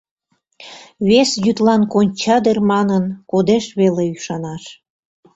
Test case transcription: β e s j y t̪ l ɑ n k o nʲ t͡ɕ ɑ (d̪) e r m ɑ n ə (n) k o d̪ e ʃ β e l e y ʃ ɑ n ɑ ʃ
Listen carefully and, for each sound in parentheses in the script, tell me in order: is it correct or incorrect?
correct, correct

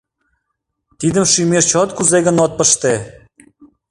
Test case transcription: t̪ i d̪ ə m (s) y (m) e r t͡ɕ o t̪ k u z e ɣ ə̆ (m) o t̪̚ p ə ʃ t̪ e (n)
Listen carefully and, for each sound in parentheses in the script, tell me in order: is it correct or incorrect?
incorrect, correct, incorrect, incorrect

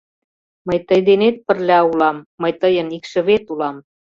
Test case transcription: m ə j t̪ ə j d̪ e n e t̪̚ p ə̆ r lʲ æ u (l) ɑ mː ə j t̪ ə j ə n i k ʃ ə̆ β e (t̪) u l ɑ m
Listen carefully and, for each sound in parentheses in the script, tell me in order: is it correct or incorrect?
correct, correct

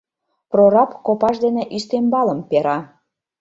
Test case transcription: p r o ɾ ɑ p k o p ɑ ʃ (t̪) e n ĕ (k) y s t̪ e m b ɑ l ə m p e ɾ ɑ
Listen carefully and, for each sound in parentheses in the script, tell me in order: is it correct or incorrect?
incorrect, incorrect

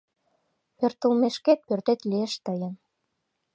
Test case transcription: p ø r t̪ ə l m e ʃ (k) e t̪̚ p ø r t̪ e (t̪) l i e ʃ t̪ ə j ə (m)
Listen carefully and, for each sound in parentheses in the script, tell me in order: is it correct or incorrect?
correct, correct, incorrect

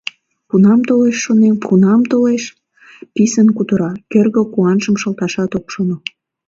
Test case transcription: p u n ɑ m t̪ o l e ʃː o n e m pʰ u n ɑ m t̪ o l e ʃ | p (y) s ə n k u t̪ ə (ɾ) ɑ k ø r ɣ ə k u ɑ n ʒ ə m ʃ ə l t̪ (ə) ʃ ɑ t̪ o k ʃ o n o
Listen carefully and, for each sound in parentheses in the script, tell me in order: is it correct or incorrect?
incorrect, correct, incorrect

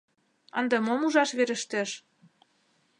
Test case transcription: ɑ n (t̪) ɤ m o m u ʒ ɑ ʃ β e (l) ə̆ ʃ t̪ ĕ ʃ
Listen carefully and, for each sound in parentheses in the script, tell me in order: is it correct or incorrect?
incorrect, incorrect

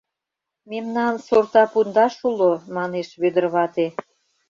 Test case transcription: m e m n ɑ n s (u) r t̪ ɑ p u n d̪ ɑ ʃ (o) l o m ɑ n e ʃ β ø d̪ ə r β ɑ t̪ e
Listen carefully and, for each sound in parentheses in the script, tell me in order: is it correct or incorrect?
incorrect, incorrect

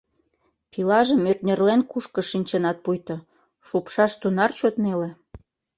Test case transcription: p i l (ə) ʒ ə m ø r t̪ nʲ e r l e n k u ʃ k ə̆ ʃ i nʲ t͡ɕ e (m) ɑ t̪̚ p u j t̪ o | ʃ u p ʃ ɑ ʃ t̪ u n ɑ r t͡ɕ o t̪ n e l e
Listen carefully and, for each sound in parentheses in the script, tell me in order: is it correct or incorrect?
incorrect, incorrect

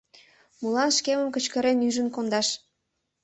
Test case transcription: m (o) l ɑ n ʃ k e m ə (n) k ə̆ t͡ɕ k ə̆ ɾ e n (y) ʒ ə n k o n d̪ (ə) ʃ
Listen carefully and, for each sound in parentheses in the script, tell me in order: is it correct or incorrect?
incorrect, incorrect, correct, incorrect

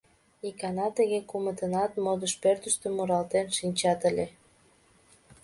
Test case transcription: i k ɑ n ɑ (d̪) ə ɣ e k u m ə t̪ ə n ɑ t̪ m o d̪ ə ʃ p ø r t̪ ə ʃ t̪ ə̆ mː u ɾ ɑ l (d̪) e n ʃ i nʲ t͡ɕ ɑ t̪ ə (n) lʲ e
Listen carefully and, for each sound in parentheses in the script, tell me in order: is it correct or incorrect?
incorrect, incorrect, incorrect

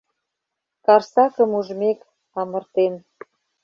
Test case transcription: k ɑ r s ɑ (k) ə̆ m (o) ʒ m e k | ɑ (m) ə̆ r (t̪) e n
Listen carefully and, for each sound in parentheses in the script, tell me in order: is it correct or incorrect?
correct, incorrect, correct, correct

